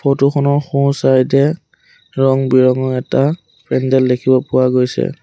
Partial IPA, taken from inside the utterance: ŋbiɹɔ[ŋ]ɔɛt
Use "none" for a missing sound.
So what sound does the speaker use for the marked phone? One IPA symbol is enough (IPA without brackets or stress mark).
ŋ